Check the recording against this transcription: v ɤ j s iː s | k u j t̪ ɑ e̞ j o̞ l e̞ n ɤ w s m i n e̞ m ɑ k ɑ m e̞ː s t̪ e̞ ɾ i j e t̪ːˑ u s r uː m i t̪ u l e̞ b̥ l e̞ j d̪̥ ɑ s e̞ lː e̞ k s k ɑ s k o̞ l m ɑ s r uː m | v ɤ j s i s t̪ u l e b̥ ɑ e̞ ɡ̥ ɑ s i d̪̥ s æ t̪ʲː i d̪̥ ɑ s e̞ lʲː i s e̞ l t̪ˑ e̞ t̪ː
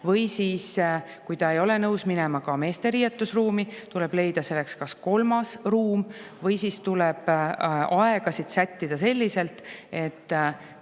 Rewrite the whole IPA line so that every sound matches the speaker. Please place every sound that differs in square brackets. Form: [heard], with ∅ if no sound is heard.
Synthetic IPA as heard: v ɤ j s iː s | k u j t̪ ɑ e̞ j o̞ l e̞ n ɤ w s m i n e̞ m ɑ k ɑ m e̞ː s t̪ e̞ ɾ i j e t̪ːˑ u s r uː m i t̪ u l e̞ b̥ l e̞ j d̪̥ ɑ s e̞ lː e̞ k s k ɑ s k o̞ l m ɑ s r uː m | v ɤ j s i s t̪ u l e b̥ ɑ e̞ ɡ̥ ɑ s i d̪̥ s æ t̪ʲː i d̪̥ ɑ s e̞ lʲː i s e̞ l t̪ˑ e̞ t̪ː